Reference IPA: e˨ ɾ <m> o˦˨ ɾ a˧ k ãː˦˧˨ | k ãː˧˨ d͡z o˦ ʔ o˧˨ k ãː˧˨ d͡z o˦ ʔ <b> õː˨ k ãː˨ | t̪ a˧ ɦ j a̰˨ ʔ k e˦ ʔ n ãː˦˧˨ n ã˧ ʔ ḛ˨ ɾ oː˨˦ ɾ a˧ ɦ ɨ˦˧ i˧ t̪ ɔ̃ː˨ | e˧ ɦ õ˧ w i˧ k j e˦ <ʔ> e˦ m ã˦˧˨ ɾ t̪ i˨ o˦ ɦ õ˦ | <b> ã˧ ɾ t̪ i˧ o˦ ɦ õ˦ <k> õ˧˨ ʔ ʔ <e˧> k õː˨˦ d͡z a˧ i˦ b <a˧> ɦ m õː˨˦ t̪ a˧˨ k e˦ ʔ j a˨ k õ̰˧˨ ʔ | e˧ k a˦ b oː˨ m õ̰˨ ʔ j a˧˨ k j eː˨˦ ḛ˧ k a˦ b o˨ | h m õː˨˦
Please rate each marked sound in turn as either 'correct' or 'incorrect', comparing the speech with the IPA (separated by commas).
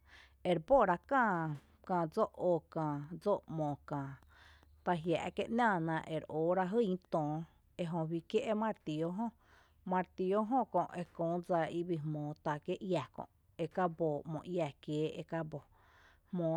incorrect, incorrect, correct, incorrect, correct, correct, incorrect